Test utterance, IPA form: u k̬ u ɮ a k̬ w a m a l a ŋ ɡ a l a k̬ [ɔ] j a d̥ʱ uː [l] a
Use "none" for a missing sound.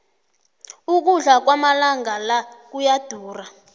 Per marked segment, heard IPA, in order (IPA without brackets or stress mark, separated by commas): u, r